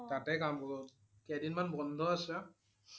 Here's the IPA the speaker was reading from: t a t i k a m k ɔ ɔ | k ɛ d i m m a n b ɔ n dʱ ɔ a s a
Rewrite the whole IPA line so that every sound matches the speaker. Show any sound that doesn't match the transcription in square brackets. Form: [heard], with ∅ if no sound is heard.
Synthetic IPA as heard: t a t [ɛ] k a m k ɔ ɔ | k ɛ d i [n] m a n b ɔ n dʱ ɔ a s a